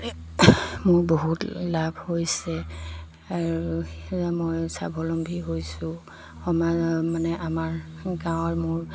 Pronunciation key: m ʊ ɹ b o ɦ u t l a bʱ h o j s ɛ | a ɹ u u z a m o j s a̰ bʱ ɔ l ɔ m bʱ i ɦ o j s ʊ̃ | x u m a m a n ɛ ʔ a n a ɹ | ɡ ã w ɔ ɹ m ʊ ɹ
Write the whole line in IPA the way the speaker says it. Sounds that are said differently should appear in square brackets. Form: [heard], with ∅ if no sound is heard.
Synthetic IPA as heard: m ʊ ɹ b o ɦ u t l a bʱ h o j s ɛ | a ɹ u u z a m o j s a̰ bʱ ɔ l ɔ m bʱ i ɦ o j s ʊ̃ | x [ɔ] m a m a n ɛ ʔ a [m] a ɹ | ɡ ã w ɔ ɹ m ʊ ɹ